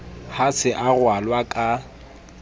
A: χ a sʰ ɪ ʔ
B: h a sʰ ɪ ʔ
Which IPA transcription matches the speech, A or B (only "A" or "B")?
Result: B